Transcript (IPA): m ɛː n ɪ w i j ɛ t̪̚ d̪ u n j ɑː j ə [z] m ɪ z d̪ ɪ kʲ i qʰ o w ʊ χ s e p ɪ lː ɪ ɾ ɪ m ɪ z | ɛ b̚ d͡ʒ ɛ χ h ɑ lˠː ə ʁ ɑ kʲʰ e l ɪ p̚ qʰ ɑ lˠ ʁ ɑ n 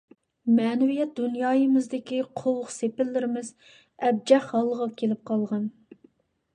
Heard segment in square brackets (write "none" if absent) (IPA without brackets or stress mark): none